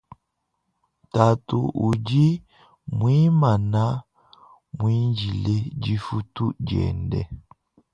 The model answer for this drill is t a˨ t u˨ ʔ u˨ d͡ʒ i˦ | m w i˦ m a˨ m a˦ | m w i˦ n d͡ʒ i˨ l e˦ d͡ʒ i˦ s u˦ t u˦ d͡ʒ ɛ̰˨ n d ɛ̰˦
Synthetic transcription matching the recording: t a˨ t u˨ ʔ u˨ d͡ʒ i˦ | m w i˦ m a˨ n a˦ | m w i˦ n d͡ʒ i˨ l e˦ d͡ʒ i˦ f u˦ t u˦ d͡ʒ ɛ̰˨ n d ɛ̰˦